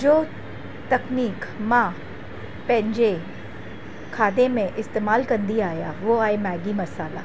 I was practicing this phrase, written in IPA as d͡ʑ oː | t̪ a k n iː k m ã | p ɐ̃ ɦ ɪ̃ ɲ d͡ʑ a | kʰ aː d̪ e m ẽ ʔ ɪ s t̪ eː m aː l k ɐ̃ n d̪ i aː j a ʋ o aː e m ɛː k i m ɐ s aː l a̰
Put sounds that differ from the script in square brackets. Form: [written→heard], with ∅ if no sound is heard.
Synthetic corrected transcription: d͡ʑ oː | t̪ [a→ɐ] k n iː k m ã | p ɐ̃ ɦ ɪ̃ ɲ d͡ʑ [a→e] | kʰ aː d̪ e m ẽ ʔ ɪ s t̪ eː m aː l k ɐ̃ n d̪ i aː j a ʋ o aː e m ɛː [k→ɡ] i m ɐ s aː l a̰